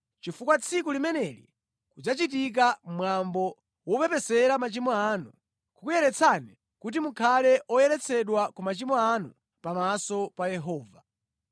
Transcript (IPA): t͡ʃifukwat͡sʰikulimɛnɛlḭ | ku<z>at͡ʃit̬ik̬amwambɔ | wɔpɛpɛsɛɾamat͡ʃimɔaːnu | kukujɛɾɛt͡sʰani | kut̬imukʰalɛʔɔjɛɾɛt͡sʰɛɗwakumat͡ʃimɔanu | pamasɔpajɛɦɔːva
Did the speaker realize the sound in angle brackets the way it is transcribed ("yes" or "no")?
no